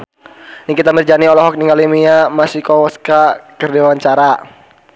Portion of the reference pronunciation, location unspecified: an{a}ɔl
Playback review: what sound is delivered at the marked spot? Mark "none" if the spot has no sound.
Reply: i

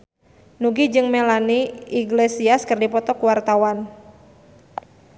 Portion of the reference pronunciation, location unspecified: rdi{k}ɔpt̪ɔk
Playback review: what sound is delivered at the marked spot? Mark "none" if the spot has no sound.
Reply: p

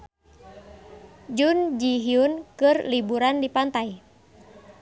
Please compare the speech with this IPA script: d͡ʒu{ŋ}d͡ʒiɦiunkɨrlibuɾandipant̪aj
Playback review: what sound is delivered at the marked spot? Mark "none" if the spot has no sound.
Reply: n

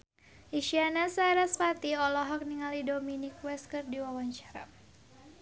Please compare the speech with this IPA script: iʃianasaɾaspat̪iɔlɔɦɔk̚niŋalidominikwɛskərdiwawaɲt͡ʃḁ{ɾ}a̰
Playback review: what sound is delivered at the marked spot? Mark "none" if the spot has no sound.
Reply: ɾ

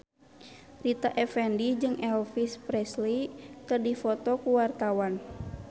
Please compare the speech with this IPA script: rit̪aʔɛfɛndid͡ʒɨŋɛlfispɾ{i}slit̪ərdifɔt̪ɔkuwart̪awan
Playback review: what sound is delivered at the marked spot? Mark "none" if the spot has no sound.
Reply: ɛ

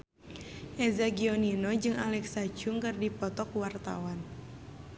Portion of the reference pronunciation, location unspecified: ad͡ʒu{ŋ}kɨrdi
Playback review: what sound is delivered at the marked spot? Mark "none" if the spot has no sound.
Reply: ŋ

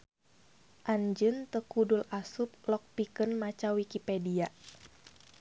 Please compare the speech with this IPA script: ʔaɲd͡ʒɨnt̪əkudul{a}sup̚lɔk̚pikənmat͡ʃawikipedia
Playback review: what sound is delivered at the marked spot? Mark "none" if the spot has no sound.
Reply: a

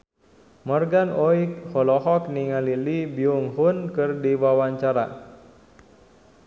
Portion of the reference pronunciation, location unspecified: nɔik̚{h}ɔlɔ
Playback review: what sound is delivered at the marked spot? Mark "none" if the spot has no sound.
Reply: h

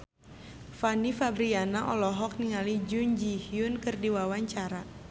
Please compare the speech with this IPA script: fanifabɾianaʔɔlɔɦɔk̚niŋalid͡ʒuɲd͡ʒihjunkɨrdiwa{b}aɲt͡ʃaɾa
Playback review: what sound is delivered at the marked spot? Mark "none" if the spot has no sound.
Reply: w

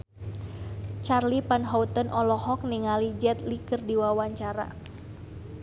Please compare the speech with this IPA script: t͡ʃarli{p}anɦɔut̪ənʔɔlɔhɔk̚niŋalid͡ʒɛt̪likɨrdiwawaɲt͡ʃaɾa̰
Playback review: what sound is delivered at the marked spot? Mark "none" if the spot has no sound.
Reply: p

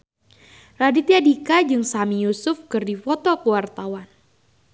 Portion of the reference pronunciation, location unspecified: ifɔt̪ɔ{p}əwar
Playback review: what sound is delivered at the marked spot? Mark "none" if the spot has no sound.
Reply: k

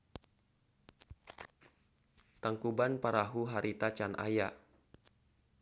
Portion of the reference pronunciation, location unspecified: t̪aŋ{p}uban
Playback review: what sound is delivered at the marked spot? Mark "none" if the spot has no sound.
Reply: k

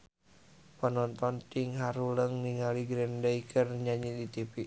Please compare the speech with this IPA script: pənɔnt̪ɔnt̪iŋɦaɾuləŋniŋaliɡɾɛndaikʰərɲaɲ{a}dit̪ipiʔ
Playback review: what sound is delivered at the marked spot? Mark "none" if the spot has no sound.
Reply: i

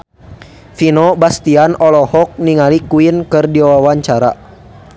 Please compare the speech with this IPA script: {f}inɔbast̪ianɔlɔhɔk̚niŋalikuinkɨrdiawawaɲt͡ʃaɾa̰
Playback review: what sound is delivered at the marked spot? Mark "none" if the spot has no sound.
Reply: f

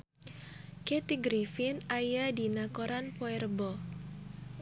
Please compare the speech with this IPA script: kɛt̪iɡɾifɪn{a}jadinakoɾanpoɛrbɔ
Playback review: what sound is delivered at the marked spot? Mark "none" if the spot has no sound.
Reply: a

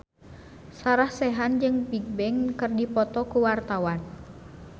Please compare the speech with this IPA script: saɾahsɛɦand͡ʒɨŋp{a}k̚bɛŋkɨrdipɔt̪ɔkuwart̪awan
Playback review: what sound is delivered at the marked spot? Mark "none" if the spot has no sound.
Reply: i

